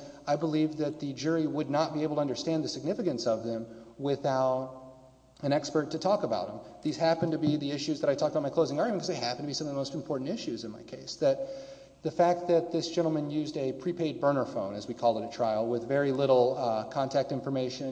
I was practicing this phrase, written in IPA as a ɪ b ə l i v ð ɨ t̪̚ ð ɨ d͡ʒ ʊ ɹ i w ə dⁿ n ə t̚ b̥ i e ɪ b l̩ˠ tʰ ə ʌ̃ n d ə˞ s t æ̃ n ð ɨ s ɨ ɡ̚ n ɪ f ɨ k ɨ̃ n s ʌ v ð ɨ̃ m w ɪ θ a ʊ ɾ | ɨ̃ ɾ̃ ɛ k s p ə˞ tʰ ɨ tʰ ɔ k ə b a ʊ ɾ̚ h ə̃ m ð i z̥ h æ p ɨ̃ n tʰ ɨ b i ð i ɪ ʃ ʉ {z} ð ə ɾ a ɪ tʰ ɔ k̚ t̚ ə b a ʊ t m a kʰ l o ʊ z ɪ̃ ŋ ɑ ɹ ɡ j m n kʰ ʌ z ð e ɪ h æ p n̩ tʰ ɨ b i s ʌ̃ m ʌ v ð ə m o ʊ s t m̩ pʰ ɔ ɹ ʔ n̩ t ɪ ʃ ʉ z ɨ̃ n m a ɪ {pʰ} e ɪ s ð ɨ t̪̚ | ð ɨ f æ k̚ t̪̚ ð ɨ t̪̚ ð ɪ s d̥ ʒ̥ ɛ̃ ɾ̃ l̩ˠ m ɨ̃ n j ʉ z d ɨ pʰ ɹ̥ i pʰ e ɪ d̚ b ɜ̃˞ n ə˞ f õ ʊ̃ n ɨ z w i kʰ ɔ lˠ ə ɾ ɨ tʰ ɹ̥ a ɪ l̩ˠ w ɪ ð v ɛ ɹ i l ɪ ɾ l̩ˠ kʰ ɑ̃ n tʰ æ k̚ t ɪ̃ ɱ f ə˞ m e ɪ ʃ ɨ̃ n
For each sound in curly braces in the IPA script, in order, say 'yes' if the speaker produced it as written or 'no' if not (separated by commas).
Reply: yes, no